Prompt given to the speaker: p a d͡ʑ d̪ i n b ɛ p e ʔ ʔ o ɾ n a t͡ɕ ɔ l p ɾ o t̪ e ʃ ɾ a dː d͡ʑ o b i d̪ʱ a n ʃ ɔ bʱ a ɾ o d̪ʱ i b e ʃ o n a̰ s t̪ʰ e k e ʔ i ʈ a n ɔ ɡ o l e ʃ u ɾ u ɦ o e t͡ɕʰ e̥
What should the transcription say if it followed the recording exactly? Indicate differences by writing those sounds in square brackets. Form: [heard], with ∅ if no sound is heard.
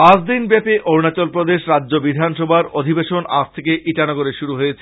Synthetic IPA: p a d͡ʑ d̪ i n b ɛ p e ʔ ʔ o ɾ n a t͡ɕ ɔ l p ɾ o [d̪] e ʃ ɾ a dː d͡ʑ o b i d̪ʱ a n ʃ ɔ bʱ a ɾ o d̪ʱ i b e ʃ o n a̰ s t̪ʰ e k e ʔ i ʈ a n ɔ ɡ o [ɾ] e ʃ u ɾ u ɦ o e t͡ɕʰ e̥

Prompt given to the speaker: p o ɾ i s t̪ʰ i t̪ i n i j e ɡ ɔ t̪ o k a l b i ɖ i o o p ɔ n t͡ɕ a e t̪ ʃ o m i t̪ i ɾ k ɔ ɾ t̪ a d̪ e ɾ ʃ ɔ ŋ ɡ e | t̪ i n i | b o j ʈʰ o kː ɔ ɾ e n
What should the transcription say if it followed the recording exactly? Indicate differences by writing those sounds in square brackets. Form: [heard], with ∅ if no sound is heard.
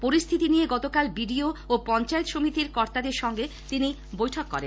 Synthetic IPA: p o ɾ i s t̪ʰ i t̪ i n i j e ɡ ɔ t̪ o k a l b i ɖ i o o p ɔ n t͡ɕ a e t̪ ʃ o m i t̪ i ɾ k ɔ ɾ t̪ a d̪ e ɾ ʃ ɔ ŋ ɡ e | t̪ i n i | b o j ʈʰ o kː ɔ ɾ e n

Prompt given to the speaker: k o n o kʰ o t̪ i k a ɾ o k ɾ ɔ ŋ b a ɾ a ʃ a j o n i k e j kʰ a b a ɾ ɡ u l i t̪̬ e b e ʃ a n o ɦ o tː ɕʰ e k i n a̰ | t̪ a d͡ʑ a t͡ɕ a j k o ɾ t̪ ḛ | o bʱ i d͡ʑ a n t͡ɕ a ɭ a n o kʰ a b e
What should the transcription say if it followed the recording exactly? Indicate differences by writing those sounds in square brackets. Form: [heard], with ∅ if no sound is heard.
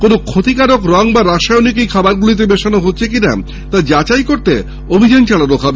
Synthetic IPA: k o n o kʰ o t̪ i k a ɾ o k ɾ ɔ ŋ b a ɾ a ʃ a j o n i k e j kʰ a b a ɾ ɡ u l i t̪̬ e b e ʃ a n o ɦ o tː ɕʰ e k i n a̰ | t̪ a d͡ʑ a t͡ɕ a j k o ɾ t̪ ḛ | o bʱ i d͡ʑ a n t͡ɕ a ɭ a n o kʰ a b e

